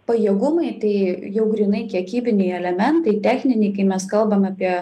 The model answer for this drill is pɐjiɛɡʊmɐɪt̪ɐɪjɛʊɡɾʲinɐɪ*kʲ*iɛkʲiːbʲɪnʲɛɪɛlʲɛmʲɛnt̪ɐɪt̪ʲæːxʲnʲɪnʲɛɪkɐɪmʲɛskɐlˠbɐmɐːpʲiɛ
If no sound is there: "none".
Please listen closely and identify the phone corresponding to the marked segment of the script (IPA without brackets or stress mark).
kʲ